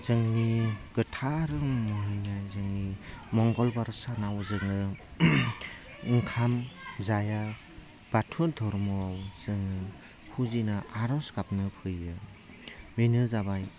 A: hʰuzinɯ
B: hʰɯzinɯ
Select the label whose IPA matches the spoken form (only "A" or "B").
A